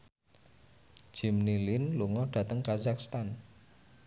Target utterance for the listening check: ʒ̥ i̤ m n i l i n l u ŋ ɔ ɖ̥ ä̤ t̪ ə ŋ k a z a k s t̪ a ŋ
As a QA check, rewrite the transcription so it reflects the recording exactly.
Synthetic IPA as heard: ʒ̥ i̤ m n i l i n l u ŋ ɔ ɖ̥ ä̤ t̪ ə ŋ k a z a k s t̪ a n